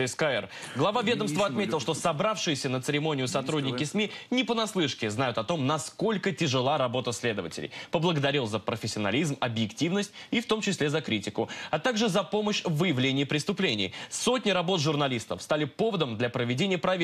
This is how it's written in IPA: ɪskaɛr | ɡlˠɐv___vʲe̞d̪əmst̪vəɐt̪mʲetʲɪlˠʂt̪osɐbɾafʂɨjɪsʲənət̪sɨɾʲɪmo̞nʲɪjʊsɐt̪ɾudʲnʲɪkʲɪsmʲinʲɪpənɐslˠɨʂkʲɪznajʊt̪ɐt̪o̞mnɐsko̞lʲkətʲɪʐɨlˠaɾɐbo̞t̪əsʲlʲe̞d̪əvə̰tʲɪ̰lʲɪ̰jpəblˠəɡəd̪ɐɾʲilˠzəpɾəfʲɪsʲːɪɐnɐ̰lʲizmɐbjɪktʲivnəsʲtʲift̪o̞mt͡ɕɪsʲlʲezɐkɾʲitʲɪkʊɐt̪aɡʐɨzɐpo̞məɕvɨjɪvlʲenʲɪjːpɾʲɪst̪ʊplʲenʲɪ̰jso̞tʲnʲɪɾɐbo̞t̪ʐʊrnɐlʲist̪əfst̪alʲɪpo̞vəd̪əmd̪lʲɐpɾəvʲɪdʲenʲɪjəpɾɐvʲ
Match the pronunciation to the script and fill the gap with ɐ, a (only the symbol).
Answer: a